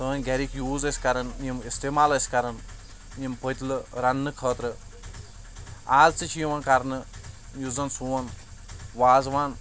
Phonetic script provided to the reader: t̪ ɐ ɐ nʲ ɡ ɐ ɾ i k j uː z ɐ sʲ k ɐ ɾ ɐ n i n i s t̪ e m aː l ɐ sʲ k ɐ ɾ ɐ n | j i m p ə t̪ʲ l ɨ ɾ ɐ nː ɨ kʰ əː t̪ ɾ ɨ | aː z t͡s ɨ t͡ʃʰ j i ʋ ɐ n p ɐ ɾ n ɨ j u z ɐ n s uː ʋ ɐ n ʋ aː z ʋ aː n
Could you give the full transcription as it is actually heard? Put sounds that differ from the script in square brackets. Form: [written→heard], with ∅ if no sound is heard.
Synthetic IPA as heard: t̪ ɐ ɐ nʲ ɡ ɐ ɾ i k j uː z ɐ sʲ k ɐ ɾ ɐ n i [n→m] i s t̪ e m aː l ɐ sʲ k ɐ ɾ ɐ n | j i m p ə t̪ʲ l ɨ ɾ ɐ nː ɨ kʰ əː t̪ ɾ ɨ | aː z t͡s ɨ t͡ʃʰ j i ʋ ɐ n [p→k] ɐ ɾ n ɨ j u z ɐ n s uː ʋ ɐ n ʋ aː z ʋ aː n